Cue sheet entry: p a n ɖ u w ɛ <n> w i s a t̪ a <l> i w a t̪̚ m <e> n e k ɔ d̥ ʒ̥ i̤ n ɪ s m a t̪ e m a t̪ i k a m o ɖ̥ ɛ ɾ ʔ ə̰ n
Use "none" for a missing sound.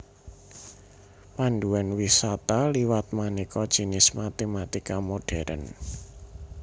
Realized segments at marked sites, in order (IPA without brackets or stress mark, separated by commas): n, l, a